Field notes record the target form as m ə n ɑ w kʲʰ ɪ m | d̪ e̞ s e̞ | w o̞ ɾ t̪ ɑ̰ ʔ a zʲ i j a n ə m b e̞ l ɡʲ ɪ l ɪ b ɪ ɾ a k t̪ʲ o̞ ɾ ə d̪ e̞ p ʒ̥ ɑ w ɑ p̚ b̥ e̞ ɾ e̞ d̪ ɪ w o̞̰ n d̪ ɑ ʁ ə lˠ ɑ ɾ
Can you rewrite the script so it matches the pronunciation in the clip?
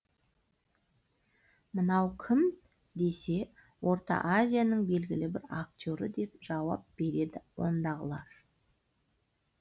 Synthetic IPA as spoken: m ə n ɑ w kʲʰ ɪ m | d̪ e̞ s e̞ | w o̞ ɾ t̪ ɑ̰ ʔ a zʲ i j a n ə ɴ b e̞ l ɡʲ ɪ l ɪ b ɪ ɾ a k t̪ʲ o̞ ɾ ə d̪ e̞ p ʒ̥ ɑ w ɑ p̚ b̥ e̞ ɾ e̞ d̪ ɪ w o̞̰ n d̪ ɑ ʁ ə lˠ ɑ ɾ